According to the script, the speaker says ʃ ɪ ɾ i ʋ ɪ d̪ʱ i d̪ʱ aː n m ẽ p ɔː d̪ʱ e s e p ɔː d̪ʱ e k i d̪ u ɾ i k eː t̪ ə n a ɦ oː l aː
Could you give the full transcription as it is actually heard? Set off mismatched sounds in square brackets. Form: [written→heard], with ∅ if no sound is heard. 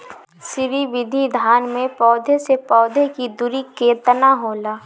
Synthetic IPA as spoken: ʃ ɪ ɾ i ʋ ɪ d̪ʱ i d̪ʱ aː n m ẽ p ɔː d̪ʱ e s e p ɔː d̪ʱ e k i d̪ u ɾ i k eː t̪ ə n a ɦ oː l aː